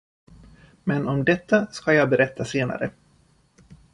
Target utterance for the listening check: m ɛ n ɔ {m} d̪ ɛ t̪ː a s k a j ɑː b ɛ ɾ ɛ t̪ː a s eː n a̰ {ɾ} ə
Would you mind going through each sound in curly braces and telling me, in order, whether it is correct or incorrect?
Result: correct, correct

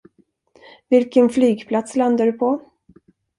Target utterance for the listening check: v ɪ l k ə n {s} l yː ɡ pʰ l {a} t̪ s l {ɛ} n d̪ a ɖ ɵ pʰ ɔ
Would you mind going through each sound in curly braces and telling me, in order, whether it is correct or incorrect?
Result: incorrect, correct, incorrect

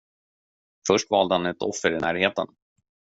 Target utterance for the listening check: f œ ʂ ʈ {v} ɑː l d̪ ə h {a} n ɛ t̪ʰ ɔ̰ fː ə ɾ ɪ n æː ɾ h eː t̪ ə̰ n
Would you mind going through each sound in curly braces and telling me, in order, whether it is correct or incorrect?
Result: correct, correct

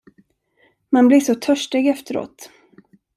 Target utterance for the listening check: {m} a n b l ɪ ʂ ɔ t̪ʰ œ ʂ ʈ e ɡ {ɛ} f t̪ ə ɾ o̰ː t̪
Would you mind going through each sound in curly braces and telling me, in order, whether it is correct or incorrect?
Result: correct, correct

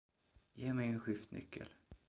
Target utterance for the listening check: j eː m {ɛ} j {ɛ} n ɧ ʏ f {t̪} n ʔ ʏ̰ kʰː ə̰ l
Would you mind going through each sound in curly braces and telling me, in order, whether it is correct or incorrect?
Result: correct, correct, correct

